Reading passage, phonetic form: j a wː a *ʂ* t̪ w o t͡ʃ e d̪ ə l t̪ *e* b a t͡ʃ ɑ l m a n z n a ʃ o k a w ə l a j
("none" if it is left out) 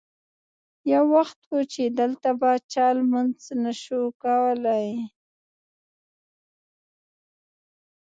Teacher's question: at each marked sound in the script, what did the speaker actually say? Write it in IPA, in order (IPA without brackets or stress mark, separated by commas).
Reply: x, a